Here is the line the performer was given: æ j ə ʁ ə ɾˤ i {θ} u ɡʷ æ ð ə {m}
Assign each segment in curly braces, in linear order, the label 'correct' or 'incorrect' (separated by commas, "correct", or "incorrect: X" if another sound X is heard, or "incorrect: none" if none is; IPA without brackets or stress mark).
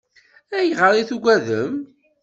correct, correct